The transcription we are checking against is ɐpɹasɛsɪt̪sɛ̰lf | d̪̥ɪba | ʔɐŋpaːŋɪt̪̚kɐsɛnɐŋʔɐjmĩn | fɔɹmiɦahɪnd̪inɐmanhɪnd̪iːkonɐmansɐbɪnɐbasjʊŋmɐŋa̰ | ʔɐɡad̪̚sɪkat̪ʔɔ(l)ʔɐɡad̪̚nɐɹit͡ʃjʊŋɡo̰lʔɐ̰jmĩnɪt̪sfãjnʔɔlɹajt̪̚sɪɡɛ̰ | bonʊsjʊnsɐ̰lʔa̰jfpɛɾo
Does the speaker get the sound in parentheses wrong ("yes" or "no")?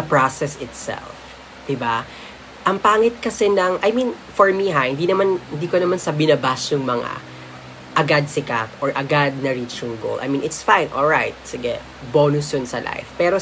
yes